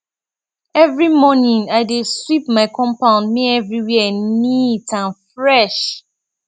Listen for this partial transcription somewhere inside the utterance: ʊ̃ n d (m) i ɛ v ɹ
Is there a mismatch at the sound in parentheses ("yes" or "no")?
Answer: no